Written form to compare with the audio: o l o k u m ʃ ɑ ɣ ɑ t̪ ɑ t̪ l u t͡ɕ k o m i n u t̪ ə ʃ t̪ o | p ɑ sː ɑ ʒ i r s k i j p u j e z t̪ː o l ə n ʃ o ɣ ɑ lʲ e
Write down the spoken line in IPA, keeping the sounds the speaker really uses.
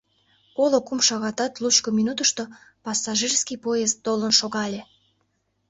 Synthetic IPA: o l o k u m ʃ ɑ ɣ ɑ t̪ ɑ t̪ l u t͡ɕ k o m i n u t̪ ə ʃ t̪ o | p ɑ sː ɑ ʒ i r s k i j p o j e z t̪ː o l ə n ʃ o ɣ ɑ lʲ e